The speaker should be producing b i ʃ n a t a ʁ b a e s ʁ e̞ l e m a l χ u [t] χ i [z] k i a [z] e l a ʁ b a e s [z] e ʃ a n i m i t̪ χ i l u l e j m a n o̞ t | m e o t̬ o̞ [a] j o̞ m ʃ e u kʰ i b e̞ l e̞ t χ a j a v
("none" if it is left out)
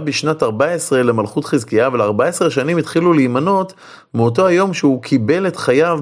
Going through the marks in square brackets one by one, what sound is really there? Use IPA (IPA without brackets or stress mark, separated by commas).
t, z, v, ʁ, a